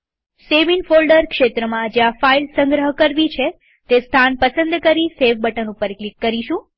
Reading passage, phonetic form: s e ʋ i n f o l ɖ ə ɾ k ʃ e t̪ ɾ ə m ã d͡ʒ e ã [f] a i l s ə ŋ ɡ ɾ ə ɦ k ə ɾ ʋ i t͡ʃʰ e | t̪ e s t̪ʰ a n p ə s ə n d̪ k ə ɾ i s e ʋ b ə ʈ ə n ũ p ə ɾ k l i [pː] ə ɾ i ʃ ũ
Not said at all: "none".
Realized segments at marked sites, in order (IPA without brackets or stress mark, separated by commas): f, kː